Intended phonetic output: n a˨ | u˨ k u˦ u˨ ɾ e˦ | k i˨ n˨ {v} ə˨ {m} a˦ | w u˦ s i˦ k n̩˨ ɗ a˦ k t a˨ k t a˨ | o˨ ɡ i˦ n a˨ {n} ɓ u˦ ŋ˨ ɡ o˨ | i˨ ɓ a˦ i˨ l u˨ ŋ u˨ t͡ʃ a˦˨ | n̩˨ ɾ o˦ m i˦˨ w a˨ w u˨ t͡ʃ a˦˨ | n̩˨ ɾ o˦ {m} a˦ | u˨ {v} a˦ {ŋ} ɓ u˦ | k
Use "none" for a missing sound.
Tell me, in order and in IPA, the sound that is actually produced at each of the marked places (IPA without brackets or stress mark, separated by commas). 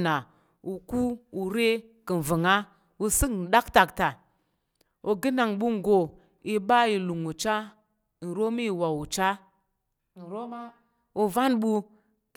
v, ŋ, ŋ, m, v, n